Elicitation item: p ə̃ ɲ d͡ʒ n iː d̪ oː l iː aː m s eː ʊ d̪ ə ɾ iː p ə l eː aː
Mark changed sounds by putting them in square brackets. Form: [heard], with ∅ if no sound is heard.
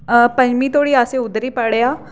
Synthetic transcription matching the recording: p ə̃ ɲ d͡ʒ [m] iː [t̪] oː [ɽ] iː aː [∅] s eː ʊ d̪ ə ɾ iː p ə [ɽ] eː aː